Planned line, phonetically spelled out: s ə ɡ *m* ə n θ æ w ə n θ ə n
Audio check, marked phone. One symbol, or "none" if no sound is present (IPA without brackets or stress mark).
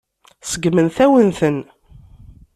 m